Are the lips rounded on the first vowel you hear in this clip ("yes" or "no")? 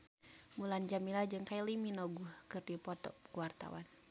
yes